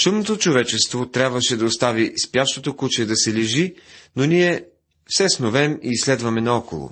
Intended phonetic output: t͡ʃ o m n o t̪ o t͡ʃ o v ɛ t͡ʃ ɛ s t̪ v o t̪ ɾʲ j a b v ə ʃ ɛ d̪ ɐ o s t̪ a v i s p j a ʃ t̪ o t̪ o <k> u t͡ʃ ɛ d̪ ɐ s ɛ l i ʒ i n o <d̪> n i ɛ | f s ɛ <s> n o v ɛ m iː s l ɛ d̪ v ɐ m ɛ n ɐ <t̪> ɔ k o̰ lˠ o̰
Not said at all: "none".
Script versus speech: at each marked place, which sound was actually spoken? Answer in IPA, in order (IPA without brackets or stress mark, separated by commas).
k, none, s, none